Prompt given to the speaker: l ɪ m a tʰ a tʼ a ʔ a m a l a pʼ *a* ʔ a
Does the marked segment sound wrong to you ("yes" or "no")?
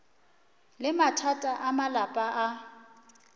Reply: no